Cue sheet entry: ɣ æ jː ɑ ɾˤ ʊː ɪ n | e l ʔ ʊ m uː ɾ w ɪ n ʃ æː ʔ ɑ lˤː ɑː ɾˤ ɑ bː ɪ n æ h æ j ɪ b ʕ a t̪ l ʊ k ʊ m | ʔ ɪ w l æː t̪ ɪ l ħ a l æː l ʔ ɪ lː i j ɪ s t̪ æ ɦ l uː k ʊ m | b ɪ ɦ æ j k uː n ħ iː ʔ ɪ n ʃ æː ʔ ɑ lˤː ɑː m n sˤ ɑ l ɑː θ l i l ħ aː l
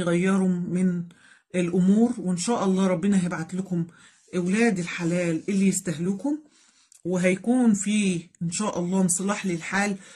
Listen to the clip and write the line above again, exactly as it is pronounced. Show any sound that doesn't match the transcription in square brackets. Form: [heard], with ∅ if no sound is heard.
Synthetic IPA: ɣ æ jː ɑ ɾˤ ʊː ɪ n | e l ʔ ʊ m uː ɾ w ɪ n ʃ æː ʔ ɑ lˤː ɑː ɾˤ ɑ bː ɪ n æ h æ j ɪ b ʕ a t̪ l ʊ k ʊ m | ʔ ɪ w l æː [d̪] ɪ l ħ a l æː l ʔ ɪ lː i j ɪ s t̪ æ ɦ l uː k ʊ m | [w] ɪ ɦ æ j k uː n [f] iː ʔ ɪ n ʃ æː ʔ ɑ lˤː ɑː m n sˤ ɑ l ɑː [ħ] l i l ħ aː l